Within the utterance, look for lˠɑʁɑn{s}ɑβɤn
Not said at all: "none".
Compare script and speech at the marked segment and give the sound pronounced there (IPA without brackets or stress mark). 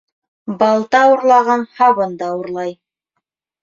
h